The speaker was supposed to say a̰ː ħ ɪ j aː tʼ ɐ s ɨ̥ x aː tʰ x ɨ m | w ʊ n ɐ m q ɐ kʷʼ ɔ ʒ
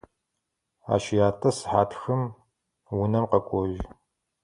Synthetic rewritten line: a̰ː ʃ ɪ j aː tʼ ɐ s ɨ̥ ħ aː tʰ x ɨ m | w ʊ n ɐ m q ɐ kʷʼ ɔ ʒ